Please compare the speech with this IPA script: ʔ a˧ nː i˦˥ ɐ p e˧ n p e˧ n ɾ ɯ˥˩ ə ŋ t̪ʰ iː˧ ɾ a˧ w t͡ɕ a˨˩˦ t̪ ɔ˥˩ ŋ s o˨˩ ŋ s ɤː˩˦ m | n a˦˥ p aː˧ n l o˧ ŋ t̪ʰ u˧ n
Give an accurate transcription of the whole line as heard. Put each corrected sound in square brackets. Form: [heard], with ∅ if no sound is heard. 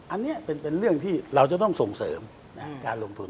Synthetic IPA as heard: ʔ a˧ nː i˦˥ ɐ p e˧ n p e˧ n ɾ ɯ˥˩ ə ŋ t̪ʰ [iː˥˩] ɾ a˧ w t͡ɕ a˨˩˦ t̪ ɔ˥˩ ŋ s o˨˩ ŋ s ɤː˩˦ m | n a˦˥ [k] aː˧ n l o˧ ŋ t̪ʰ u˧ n